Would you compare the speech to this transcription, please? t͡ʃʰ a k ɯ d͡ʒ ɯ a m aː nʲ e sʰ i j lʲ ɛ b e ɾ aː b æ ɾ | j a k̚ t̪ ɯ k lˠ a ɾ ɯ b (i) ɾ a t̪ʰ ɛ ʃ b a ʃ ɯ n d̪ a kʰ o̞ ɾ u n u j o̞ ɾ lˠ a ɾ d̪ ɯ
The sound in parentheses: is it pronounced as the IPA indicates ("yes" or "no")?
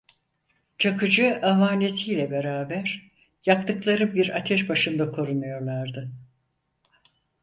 yes